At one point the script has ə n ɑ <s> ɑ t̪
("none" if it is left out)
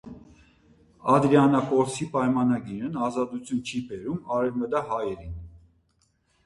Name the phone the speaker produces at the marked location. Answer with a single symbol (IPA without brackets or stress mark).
z